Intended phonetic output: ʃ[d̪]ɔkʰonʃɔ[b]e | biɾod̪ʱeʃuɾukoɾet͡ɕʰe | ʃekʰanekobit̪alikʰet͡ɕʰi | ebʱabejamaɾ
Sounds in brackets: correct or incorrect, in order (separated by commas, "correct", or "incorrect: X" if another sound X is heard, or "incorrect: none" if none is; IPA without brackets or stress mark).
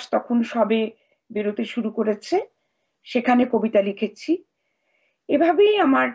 incorrect: t̪, correct